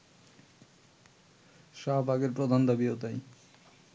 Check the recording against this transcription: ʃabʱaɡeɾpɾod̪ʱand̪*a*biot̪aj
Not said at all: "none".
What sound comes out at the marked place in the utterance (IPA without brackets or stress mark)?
a